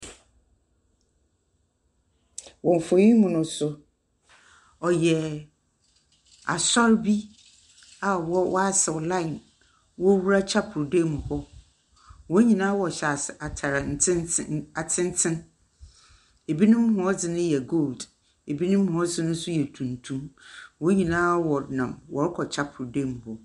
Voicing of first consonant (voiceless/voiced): voiced